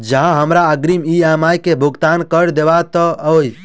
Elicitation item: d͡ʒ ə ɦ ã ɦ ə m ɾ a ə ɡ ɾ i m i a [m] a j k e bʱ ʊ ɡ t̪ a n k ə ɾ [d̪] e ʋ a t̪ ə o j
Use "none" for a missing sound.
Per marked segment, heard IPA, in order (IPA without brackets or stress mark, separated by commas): m, d̪